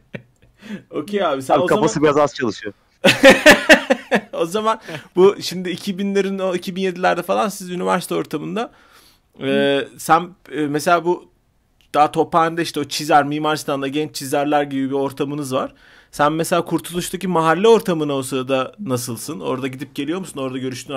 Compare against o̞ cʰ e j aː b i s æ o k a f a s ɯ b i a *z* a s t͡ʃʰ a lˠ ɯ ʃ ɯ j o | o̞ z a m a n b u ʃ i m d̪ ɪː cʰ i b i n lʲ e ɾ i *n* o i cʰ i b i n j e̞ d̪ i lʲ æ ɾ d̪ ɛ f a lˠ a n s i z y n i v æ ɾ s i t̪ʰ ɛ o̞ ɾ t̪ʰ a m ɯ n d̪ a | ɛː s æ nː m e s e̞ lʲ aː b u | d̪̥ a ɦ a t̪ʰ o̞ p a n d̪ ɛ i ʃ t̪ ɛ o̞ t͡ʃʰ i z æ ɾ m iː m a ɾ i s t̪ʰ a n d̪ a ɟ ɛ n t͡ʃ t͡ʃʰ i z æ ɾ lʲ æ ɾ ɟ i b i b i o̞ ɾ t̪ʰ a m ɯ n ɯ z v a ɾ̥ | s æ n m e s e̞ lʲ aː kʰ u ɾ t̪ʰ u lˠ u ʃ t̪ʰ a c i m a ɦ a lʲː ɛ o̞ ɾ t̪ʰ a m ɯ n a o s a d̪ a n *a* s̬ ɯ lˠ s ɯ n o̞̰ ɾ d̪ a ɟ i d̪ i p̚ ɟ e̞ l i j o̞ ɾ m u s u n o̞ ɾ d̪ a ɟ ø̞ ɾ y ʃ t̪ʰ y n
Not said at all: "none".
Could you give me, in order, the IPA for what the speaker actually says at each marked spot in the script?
z, n, a

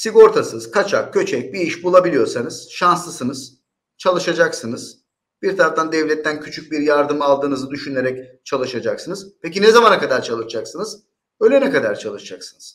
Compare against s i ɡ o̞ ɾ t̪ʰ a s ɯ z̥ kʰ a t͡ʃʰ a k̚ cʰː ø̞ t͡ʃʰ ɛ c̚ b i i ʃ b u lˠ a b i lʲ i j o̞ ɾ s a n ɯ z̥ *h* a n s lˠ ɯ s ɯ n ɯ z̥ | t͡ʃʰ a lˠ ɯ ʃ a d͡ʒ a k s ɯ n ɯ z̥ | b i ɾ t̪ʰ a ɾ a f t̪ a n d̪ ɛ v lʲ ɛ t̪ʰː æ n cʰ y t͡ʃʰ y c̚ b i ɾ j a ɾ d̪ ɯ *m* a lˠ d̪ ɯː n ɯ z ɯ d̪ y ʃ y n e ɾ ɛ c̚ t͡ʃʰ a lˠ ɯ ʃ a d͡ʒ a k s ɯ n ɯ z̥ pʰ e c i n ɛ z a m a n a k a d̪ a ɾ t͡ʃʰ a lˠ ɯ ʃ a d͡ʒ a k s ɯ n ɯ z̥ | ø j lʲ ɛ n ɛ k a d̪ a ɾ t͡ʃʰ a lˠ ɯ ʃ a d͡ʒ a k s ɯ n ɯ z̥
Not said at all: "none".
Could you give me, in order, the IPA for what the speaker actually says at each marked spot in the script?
ʃ, m

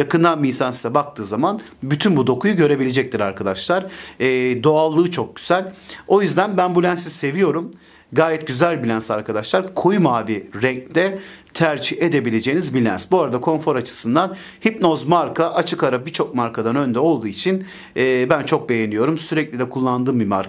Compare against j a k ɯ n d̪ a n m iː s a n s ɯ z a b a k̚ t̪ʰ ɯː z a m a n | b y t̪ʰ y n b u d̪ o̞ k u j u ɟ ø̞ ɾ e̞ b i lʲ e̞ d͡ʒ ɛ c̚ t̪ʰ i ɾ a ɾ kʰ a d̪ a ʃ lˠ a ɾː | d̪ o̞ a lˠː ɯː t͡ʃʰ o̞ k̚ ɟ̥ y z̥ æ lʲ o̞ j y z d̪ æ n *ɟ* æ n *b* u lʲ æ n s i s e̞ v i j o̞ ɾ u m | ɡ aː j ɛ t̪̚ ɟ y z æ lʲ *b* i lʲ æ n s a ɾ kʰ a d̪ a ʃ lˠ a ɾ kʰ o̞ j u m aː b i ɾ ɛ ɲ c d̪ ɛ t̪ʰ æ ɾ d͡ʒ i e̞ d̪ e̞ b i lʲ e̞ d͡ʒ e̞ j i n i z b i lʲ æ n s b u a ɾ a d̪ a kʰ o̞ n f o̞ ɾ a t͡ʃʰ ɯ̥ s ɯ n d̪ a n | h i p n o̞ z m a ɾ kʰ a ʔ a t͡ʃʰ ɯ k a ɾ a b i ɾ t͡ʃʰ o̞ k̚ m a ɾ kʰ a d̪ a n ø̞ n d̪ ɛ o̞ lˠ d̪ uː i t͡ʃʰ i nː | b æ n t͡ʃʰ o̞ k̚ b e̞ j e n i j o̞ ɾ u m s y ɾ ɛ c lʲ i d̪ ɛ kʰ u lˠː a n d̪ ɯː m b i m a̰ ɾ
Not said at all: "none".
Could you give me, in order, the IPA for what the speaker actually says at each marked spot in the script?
b, b, b

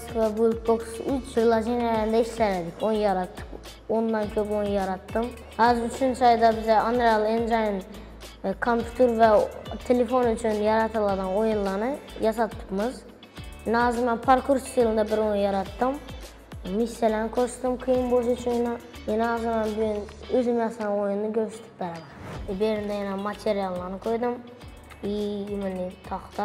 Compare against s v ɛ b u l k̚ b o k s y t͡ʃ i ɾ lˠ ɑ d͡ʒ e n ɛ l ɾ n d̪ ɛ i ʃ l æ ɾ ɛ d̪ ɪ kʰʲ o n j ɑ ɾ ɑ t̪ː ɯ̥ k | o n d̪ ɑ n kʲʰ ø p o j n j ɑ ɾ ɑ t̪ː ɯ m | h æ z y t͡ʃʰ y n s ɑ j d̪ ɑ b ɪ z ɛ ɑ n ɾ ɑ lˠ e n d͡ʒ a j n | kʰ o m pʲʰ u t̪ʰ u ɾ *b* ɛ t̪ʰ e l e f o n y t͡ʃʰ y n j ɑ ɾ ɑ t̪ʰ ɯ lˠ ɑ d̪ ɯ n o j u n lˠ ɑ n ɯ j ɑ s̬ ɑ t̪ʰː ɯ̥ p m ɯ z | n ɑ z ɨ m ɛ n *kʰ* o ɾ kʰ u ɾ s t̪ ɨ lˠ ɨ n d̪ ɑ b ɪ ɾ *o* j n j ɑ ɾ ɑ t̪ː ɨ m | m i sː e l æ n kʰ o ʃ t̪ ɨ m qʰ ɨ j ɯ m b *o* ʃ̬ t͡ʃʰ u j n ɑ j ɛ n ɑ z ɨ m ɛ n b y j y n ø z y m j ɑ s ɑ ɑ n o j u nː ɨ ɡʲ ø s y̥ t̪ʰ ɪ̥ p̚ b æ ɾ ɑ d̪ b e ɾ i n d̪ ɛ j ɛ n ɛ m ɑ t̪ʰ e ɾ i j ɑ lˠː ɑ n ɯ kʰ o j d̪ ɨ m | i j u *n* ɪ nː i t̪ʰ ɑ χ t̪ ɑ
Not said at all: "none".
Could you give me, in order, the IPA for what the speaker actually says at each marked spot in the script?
v, pʰ, o, o, m

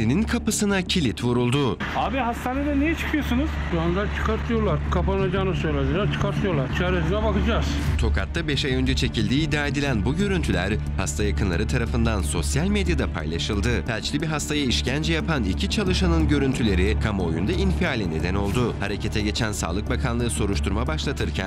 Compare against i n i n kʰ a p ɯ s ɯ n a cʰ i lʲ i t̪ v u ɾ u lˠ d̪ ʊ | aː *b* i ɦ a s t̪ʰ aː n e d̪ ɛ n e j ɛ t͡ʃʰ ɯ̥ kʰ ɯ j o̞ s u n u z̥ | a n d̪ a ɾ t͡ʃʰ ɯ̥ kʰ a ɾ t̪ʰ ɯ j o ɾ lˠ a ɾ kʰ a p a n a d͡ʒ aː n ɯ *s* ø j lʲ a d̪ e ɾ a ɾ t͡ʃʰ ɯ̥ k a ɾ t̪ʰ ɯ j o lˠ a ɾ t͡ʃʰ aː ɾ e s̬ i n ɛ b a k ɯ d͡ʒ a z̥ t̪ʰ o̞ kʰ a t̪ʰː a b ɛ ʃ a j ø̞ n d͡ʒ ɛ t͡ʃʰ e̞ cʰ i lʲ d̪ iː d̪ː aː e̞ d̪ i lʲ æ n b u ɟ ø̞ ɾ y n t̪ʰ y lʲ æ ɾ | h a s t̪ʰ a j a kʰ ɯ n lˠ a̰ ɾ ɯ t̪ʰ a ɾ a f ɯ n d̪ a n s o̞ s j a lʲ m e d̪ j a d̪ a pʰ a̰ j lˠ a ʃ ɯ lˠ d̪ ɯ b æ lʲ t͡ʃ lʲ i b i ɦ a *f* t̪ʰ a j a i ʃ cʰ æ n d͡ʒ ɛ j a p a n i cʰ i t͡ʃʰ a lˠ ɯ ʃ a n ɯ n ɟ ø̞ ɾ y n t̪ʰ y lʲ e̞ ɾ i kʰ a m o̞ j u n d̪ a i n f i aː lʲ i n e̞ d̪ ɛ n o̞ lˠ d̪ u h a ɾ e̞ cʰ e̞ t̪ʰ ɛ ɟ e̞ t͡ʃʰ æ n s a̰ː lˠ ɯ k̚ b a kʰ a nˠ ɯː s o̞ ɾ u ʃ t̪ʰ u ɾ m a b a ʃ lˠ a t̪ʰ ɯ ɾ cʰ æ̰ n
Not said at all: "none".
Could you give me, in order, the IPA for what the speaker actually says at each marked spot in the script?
b, s, s

